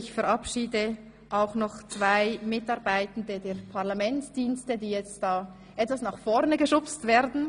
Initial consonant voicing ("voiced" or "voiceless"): voiceless